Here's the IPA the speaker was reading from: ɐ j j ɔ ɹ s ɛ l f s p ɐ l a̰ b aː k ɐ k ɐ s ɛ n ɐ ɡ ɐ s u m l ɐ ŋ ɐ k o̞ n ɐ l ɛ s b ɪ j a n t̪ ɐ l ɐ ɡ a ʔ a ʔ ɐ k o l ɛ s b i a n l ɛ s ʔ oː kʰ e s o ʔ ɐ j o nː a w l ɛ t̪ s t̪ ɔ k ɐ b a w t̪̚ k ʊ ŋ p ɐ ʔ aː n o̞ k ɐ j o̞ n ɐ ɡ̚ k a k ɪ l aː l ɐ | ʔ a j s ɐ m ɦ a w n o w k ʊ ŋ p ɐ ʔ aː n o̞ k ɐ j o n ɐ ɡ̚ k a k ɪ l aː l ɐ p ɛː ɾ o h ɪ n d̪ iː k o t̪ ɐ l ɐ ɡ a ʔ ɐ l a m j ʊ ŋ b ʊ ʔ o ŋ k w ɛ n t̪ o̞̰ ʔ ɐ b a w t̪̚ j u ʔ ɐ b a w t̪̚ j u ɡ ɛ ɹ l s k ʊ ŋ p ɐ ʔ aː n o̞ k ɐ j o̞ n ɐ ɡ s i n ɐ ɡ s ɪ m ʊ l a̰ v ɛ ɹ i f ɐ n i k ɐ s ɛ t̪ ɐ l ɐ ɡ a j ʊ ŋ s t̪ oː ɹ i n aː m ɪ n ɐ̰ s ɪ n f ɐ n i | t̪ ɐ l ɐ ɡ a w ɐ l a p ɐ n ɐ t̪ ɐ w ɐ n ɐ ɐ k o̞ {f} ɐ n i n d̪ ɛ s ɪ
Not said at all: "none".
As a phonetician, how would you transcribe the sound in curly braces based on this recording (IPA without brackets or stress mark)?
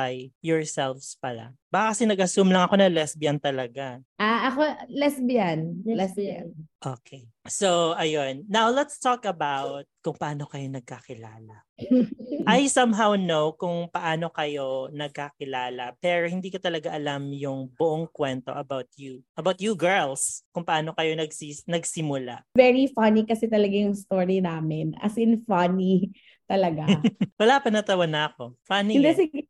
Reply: f